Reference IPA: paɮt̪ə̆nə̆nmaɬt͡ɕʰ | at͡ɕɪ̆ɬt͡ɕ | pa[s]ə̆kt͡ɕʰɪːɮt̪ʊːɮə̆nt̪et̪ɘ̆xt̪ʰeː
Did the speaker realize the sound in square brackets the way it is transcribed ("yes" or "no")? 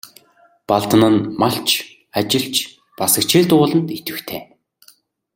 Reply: yes